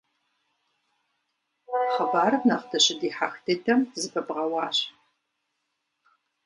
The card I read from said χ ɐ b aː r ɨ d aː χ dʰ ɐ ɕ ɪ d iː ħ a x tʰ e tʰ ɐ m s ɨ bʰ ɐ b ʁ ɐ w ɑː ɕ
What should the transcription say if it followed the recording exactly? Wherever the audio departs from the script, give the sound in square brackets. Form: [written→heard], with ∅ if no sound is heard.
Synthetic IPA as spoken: χ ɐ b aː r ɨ [d→n] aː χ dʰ ɐ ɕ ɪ d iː ħ a x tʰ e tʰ ɐ m [s→z] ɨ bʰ ɐ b ʁ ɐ w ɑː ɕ